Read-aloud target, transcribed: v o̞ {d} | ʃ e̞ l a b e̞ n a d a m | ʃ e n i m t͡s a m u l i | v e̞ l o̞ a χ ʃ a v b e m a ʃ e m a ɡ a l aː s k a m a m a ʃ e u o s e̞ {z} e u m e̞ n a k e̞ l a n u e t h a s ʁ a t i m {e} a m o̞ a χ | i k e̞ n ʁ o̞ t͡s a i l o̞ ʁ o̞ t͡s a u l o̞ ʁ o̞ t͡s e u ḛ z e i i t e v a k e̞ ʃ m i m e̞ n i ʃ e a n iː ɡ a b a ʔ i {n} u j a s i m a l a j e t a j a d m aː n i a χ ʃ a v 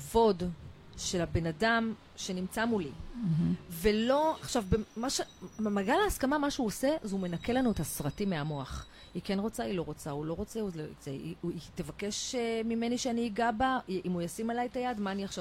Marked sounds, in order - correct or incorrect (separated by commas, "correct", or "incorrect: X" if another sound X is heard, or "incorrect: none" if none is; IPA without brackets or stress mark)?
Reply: correct, correct, correct, incorrect: m